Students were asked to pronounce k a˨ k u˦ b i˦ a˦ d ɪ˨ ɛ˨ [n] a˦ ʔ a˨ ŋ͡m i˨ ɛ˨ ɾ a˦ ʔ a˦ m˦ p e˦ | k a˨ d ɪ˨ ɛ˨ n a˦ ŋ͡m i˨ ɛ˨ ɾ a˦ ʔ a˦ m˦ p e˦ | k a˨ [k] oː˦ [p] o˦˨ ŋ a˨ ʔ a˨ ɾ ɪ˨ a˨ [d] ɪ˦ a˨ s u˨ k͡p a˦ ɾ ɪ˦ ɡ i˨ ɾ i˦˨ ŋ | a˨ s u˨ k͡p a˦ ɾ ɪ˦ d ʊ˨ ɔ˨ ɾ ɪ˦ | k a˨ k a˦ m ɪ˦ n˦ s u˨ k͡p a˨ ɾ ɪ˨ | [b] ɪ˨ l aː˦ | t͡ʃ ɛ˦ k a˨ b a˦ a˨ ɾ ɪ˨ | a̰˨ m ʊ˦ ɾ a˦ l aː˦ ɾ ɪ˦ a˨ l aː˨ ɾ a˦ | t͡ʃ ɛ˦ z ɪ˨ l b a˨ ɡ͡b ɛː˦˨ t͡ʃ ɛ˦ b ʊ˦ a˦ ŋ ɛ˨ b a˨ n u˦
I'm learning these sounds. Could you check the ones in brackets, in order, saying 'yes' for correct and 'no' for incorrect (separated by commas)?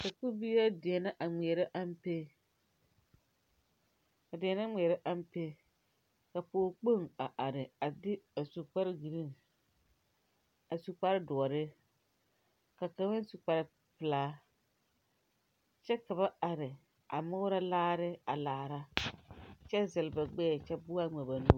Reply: yes, no, no, yes, no